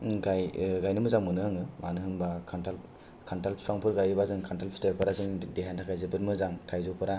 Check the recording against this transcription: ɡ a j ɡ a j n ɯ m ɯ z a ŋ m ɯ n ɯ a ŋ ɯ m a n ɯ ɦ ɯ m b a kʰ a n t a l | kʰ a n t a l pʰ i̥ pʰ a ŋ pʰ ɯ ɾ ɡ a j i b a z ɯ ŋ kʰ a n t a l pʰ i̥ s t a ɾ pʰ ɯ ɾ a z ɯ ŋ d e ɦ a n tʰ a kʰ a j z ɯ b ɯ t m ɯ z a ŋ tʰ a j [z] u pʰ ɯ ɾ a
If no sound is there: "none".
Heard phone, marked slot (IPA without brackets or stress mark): z